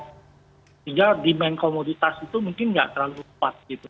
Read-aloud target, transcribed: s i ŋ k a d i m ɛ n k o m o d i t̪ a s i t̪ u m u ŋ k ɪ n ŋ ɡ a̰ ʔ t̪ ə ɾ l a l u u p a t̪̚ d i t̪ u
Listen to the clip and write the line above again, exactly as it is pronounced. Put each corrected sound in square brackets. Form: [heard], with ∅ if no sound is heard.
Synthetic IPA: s i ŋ [ɡ] a d i m ɛ n k o m o d i t̪ a s i t̪ u m u ŋ k ɪ n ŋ ɡ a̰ ʔ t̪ ə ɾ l a l u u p a t̪̚ [ɡ] i t̪ u